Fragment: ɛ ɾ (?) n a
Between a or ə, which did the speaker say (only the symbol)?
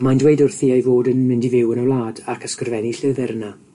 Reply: ə